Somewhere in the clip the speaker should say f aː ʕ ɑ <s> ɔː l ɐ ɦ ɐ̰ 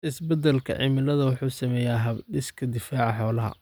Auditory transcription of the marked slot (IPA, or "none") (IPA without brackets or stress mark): ħ